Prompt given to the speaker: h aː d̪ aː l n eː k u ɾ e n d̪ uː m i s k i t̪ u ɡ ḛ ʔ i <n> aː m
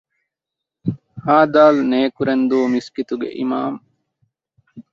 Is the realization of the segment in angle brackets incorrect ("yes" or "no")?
yes